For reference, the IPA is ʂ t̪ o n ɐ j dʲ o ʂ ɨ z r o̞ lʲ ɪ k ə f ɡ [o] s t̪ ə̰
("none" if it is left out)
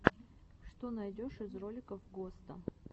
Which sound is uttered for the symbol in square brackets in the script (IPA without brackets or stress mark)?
o